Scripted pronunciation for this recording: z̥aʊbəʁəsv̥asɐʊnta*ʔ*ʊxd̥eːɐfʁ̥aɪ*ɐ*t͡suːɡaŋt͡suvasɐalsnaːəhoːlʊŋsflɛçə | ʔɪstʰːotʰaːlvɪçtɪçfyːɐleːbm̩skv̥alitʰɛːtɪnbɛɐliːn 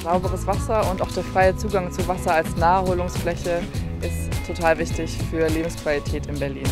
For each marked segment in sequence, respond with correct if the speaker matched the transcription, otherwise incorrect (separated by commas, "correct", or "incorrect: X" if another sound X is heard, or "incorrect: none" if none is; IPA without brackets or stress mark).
incorrect: none, incorrect: ə